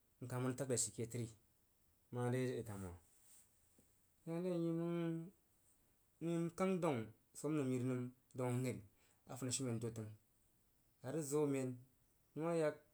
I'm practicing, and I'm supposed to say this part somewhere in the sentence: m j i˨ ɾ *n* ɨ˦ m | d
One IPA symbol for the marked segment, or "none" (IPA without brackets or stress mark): n